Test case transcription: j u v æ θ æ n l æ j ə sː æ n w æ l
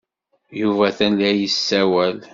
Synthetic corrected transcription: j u v æ θ æ n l æ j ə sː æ w æ l